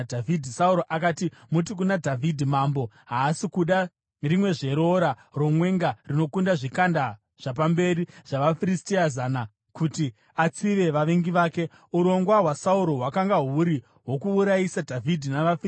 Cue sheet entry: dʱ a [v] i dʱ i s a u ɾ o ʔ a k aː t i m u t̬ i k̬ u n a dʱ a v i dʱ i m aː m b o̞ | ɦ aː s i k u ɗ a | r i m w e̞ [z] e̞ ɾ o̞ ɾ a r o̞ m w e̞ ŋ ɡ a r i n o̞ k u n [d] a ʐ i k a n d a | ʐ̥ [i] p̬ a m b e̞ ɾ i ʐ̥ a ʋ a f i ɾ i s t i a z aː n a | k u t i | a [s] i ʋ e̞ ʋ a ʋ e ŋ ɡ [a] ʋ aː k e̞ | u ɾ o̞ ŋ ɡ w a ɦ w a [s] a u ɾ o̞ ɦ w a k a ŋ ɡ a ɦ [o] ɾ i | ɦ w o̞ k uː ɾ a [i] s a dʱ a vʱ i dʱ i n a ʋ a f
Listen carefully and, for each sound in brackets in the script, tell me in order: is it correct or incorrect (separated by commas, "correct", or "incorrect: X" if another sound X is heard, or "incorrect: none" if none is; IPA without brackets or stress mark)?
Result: correct, incorrect: ʐ, correct, incorrect: a, incorrect: t͡s, incorrect: i, correct, incorrect: u, correct